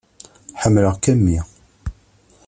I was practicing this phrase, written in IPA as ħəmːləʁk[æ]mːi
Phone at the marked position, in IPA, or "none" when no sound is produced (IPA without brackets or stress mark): æ